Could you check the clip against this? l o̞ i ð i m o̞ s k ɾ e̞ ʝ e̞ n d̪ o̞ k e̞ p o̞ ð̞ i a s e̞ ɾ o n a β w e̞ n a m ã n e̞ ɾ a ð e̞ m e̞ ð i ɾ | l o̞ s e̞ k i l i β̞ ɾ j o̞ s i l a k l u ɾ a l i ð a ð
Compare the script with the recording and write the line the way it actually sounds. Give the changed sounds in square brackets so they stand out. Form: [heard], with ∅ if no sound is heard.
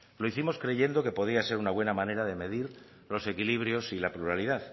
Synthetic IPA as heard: l o̞ i [θ] i m o̞ s k ɾ e̞ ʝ e̞ n d̪ o̞ k e̞ p o̞ ð̞ i a s e̞ ɾ [u] n a β w e̞ n a m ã n e̞ ɾ a ð e̞ m e̞ ð i ɾ | l o̞ s e̞ k i l i β̞ ɾ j o̞ s i l a [p] l u ɾ a l i ð a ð

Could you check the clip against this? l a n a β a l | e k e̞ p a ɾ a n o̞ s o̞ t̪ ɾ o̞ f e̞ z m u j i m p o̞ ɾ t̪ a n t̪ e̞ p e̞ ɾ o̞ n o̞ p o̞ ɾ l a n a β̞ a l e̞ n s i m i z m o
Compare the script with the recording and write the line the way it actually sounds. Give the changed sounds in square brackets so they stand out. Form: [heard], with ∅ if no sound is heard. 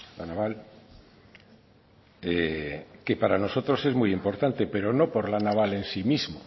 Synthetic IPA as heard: l a n a β a l | e k e̞ p a ɾ a n o̞ s o̞ t̪ ɾ o̞ [s] e̞ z m u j i m p o̞ ɾ t̪ a n t̪ e̞ p e̞ ɾ o̞ n o̞ p o̞ ɾ l a n a β̞ a l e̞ n s i m i z m o

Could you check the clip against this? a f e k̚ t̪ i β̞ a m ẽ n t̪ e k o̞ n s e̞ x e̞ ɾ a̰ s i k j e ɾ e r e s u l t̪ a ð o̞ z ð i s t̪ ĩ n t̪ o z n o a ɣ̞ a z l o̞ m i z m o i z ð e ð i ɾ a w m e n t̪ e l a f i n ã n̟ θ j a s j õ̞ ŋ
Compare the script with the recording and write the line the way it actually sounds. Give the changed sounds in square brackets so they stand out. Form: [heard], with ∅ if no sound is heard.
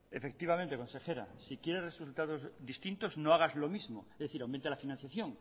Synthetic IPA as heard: [e] f e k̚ t̪ i β̞ a m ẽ n t̪ e k o̞ n s e̞ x e̞ ɾ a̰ s i k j e ɾ e r e s u l t̪ a ð o̞ z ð i s t̪ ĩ n t̪ o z n o a ɣ̞ a z l o̞ m i z m o [e] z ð e [θ] i ɾ a w m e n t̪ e l a f i n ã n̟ θ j a [θ] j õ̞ ŋ

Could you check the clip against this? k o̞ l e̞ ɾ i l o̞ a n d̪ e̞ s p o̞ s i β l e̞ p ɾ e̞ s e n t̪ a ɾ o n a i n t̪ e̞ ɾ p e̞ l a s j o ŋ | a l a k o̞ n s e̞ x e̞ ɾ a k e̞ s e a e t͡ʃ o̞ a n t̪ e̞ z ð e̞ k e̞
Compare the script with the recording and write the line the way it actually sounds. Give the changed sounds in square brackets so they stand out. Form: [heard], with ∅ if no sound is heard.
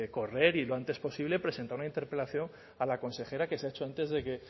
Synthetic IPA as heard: k o̞ [r] e̞ ɾ i l o̞ a n [t̪] e̞ s p o̞ s i β l e̞ p ɾ e̞ s e n t̪ a ɾ [u] n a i n t̪ e̞ ɾ p e̞ l a [θ] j o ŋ | a l a k o̞ n s e̞ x e̞ ɾ a k e̞ s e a e t͡ʃ o̞ a n t̪ e̞ z ð e̞ k e̞

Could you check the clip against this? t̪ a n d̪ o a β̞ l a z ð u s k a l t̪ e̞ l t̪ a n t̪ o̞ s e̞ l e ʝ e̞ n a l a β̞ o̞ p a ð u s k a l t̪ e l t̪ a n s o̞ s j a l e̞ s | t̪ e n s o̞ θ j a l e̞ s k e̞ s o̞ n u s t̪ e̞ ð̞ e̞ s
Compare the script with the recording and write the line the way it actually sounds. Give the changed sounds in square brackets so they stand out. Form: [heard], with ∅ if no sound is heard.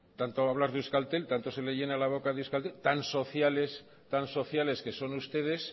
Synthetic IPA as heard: t̪ a n [t̪] o a β̞ l a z ð u s k a l t̪ e̞ l t̪ a n t̪ o̞ s e̞ l e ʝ e̞ n a l a β̞ o̞ [k] a ð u s k a l t̪ e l t̪ a n s o̞ [θ] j a l e̞ s | t̪ [a] n s o̞ θ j a l e̞ s k e̞ s o̞ n u s t̪ e̞ ð̞ e̞ s

